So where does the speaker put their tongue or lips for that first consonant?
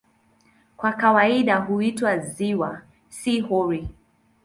velum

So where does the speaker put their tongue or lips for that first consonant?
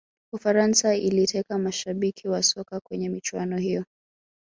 lips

